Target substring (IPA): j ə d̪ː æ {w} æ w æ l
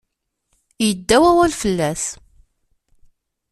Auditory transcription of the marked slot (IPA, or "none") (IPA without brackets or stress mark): w